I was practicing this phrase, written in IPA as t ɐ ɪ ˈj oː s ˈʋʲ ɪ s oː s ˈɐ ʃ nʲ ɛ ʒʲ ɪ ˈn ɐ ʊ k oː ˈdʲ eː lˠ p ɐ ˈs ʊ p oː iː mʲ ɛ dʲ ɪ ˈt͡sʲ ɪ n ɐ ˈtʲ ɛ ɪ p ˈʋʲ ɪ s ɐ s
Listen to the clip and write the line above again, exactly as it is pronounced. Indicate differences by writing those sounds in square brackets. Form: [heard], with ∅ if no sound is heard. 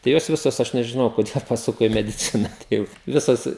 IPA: t ɐ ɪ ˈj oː s ˈʋʲ ɪ s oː s ˈɐ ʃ nʲ ɛ ʒʲ ɪ ˈn ɐ ʊ k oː ˈdʲ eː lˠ p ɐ ˈs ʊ [k] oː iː mʲ ɛ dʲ ɪ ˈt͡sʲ ɪ n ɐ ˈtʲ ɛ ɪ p ˈʋʲ ɪ s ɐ s

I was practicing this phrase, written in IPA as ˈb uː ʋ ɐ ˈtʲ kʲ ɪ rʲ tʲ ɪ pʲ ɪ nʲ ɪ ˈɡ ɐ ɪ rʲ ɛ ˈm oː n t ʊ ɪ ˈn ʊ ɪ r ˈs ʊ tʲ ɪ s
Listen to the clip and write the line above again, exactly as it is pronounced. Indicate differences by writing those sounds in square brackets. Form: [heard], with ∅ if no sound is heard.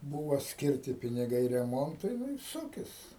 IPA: ˈb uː ʋ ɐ [ˈsʲ] kʲ ɪ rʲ tʲ ɪ pʲ ɪ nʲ ɪ ˈɡ ɐ ɪ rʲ ɛ ˈm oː n t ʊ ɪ ˈn ʊ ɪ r ˈs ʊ [kʲ] ɪ s

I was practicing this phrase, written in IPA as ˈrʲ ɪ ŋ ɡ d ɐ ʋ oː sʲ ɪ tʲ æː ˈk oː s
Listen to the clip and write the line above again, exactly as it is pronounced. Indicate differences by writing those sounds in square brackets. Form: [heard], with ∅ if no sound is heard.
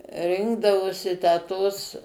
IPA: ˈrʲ ɪ ŋ ɡ d ɐ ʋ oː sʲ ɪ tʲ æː [ˈt] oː s

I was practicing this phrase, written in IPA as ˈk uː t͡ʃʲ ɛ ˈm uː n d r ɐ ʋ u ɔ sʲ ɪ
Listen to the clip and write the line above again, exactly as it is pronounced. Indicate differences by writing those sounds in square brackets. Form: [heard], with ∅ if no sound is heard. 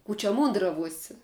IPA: ˈk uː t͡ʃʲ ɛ ˈm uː n d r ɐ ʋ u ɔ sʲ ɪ

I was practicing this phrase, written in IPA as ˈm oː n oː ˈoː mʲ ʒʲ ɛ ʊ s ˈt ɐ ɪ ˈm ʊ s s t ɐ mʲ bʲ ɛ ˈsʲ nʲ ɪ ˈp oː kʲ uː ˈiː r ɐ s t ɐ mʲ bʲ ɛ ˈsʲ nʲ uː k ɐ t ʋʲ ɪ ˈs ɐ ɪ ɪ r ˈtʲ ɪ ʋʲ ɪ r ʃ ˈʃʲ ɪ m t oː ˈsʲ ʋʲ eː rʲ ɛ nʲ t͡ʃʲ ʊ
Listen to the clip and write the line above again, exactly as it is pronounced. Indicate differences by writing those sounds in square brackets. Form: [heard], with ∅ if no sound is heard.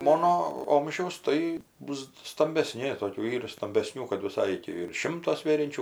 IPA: ˈm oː n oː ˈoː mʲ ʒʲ ɛ ʊ s ˈt ɐ ɪ [ˈb] ʊ s s t ɐ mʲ bʲ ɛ ˈsʲ nʲ ɪ [ˈt] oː kʲ uː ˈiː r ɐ s t ɐ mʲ bʲ ɛ ˈsʲ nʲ uː k ɐ t ʋʲ ɪ ˈs ɐ ɪ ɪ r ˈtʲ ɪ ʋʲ ɪ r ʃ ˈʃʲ ɪ m t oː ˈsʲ ʋʲ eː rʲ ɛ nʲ t͡ʃʲ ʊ

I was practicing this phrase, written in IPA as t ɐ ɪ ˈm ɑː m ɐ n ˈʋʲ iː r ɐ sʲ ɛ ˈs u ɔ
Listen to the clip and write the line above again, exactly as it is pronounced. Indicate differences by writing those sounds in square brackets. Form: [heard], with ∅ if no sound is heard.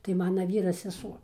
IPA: t ɐ ɪ ˈm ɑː [n] ɐ [∅] ˈʋʲ iː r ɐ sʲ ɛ ˈs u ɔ

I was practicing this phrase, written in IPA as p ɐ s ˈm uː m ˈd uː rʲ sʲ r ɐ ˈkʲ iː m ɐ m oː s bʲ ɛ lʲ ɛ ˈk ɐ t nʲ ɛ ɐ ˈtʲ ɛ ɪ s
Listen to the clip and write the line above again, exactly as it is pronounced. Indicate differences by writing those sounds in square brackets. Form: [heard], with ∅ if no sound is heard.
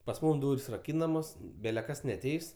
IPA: p ɐ s ˈm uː m ˈd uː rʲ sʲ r ɐ ˈkʲ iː [n] ɐ m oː s bʲ ɛ lʲ ɛ ˈk ɐ [s] nʲ ɛ ɐ ˈtʲ ɛ ɪ s

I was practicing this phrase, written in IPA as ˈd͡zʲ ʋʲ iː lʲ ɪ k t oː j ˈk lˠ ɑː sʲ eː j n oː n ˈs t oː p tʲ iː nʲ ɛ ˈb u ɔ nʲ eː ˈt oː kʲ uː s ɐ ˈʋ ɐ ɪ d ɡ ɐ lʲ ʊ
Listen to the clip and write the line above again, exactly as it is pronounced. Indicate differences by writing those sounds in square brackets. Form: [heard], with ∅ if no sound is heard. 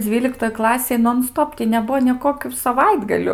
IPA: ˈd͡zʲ ʋʲ iː lʲ ɪ k t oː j ˈk lˠ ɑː sʲ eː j n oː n ˈs t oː p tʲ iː nʲ ɛ ˈb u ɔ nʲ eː [ˈk] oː kʲ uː s ɐ ˈʋ ɐ ɪ d ɡ ɐ lʲ ʊ

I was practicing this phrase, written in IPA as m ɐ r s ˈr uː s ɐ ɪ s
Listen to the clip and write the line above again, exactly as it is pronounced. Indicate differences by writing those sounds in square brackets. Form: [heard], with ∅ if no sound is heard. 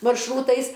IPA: m ɐ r [ʃ] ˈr uː [t] ɐ ɪ s

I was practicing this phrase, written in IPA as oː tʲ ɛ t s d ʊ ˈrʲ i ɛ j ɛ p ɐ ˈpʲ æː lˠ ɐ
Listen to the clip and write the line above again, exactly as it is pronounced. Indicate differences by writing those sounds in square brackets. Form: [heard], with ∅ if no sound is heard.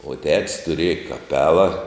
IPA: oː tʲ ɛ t s [t] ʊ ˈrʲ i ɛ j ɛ [k] ɐ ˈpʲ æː lˠ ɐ

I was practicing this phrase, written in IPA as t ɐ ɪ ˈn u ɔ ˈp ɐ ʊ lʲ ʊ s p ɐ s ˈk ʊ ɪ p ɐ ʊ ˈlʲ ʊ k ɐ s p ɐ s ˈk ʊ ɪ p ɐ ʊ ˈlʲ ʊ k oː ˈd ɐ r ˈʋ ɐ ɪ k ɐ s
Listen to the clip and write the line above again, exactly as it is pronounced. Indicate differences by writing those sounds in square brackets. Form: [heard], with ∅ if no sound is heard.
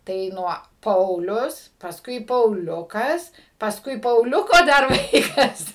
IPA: t ɐ ɪ ˈn u ɔ ˈp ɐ ʊ lʲ ʊ s p ɐ s ˈk ʊ ɪ p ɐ ʊ ˈlʲ ʊ k ɐ s p ɐ s ˈk ʊ ɪ p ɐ ʊ ˈlʲ ʊ k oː ˈd ɐ r ˈʋ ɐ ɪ k ɐ s

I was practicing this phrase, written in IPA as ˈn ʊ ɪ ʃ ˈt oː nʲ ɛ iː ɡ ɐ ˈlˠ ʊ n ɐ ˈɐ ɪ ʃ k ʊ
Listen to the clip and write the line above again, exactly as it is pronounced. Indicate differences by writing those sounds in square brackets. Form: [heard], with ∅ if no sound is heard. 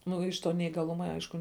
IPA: ˈn ʊ ɪ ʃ ˈt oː nʲ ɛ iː ɡ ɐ ˈlˠ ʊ [m] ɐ ˈɐ ɪ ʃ k ʊ

